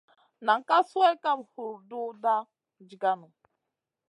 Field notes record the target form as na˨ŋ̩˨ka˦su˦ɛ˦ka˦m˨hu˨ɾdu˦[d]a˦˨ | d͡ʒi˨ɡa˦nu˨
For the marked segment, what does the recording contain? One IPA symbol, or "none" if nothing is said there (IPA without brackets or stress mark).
d